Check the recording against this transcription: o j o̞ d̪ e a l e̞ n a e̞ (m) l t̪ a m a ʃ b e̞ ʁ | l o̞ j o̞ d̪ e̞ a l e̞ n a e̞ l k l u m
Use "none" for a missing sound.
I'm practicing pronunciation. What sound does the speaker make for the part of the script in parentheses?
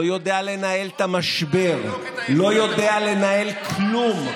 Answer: none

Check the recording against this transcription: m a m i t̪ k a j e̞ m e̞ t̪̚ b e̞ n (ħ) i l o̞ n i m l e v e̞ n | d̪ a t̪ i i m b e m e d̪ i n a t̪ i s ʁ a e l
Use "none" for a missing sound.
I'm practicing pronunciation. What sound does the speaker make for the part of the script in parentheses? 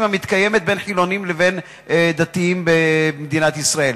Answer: ħ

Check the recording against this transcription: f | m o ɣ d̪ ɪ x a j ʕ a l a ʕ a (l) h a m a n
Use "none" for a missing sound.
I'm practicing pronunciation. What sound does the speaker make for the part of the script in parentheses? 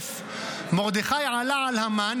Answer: l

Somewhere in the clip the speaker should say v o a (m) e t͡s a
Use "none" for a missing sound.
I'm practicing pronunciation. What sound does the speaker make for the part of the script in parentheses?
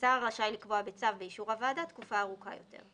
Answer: b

